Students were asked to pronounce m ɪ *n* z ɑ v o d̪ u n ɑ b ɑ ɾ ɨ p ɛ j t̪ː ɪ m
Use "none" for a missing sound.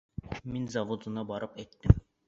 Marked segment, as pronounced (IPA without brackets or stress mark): n